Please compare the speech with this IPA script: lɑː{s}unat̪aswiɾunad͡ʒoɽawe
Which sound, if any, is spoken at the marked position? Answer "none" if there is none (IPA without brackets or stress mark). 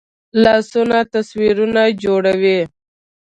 s